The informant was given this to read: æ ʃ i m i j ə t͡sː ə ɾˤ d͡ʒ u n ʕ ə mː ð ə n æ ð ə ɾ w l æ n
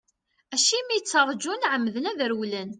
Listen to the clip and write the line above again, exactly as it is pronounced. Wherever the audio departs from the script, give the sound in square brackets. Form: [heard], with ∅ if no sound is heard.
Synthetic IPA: æ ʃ i m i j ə t͡sː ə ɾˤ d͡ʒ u n ʕ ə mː ð ə n æ ð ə ɾ w l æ n

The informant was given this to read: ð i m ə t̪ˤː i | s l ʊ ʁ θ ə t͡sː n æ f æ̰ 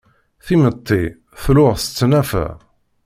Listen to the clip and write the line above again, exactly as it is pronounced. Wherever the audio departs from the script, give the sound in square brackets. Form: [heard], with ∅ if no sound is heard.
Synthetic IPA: [θ] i m ə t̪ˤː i | [θ] l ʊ ʁ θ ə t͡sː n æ f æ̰

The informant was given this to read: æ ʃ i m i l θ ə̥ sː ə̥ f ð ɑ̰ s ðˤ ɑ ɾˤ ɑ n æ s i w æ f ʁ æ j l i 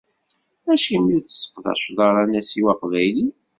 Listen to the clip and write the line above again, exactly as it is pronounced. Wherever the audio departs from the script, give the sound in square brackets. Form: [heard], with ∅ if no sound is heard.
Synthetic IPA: æ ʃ i m i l θ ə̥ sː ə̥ f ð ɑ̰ [ʃ] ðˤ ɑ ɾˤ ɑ n æ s i w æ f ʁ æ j l i

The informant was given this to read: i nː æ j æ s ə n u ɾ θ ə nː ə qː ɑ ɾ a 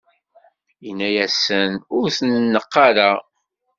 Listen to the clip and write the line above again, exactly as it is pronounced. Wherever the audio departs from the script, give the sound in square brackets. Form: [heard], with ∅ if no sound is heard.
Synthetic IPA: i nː æ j æ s ə n [ʊ] ɾ θ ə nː ə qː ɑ ɾ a

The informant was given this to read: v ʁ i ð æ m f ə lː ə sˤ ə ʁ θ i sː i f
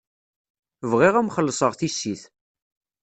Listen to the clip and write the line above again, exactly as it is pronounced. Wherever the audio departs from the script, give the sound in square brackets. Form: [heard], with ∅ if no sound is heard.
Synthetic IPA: v ʁ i [ʁ] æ m [χ] ə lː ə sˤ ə ʁ θ i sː i [θ]

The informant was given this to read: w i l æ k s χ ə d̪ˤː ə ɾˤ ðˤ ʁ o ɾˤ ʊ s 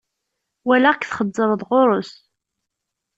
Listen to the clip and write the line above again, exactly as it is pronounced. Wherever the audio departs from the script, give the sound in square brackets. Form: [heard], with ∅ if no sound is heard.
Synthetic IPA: w [æ] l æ k [θ] χ ə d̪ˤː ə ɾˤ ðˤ ʁ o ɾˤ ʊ s

